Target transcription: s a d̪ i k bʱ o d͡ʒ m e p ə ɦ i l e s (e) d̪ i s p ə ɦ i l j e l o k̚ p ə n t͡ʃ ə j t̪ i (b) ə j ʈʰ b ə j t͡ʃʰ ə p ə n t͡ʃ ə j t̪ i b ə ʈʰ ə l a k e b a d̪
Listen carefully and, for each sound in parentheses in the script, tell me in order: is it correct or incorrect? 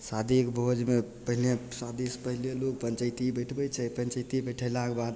incorrect: a, correct

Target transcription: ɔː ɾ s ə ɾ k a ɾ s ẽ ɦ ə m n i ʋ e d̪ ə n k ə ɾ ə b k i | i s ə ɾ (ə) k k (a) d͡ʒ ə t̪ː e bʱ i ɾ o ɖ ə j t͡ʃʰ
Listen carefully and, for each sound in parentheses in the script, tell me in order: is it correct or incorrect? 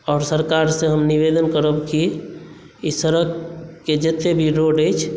correct, incorrect: e

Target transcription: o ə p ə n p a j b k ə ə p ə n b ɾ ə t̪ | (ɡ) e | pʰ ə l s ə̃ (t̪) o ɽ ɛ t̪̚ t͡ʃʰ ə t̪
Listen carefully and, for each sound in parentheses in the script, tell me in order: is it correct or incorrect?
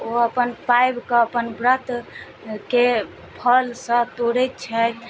incorrect: k, correct

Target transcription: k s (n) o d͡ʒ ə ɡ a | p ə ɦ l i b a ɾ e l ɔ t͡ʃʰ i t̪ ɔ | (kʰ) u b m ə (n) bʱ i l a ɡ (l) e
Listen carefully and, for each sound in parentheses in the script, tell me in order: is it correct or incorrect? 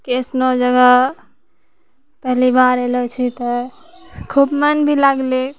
correct, correct, correct, correct

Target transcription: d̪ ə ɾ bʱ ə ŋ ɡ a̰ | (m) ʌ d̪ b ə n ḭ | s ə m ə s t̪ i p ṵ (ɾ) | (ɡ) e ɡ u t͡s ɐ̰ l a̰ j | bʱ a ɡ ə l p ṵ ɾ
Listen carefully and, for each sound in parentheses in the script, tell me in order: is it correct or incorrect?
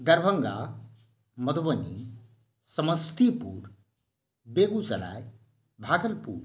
correct, correct, incorrect: b

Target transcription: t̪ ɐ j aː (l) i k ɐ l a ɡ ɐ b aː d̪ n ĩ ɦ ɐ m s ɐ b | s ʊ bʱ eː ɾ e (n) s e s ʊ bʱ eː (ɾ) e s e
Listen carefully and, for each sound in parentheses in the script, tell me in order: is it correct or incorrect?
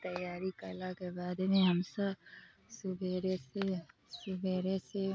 incorrect: ɾ, incorrect: none, correct

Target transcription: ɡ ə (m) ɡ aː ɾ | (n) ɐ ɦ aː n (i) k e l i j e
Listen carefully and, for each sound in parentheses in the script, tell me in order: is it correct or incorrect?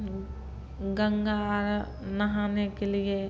incorrect: ŋ, correct, incorrect: e

